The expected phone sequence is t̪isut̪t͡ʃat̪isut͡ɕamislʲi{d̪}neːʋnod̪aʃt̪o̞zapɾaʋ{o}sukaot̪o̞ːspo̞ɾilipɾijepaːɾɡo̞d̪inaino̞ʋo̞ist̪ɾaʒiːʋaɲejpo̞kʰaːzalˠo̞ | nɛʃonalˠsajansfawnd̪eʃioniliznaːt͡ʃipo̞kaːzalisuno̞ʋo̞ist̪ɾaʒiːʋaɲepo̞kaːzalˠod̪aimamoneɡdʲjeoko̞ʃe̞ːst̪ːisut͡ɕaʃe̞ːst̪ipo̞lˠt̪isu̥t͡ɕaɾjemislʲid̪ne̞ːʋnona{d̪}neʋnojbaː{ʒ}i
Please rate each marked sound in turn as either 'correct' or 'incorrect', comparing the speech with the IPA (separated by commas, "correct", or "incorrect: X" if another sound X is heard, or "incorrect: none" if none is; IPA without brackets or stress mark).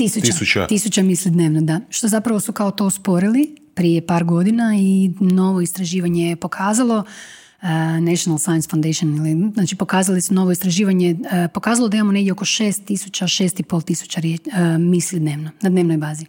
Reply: correct, correct, correct, incorrect: z